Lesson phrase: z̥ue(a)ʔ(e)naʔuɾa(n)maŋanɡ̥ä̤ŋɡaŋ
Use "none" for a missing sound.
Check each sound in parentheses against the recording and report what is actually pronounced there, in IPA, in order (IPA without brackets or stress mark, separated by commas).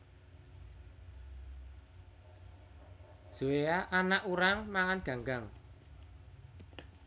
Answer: a, a, ŋ